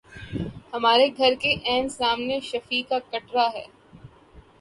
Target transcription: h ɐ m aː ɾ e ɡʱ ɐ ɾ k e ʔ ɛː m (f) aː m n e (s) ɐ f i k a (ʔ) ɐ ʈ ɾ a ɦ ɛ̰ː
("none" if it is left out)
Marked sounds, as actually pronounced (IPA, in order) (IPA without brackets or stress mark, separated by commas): s, ʃ, k